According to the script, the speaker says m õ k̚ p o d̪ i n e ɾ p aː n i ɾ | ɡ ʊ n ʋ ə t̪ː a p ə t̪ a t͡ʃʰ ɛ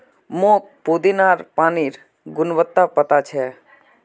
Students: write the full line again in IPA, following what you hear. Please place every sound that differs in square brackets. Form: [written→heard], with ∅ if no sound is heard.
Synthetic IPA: m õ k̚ p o d̪ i n [e→a] ɾ p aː n i ɾ | ɡ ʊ n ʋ ə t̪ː a p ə t̪ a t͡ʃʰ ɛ